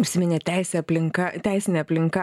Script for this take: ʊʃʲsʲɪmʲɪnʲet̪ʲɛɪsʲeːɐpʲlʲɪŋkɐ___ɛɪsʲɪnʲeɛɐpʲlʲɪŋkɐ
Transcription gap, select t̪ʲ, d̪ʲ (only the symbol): t̪ʲ